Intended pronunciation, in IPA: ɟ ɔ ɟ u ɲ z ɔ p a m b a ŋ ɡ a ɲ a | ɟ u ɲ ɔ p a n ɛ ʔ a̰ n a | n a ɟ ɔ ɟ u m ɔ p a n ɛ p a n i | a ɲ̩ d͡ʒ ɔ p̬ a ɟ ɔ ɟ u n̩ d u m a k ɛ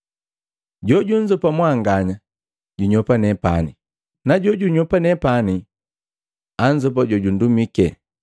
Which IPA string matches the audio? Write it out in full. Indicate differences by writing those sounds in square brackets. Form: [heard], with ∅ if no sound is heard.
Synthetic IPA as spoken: ɟ ɔ ɟ u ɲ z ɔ p a m [w] a ŋ ɡ a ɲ a | ɟ u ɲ ɔ p a n ɛ [p] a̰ n [i] | n a ɟ ɔ ɟ u [ɲ] ɔ p a n ɛ p a n i | a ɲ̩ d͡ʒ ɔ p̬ a ɟ ɔ ɟ u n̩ d u m [i] k ɛ